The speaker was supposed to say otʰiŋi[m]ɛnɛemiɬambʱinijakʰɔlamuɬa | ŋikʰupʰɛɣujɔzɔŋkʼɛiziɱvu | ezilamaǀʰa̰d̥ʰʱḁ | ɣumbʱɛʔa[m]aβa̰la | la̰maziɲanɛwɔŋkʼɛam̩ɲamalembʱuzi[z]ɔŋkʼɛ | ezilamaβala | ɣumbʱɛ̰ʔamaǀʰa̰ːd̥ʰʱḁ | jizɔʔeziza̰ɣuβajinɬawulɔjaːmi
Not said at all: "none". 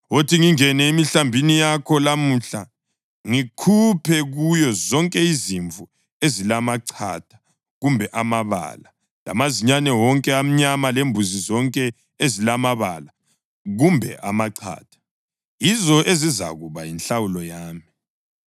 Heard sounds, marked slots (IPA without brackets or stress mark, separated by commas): ŋ, m, z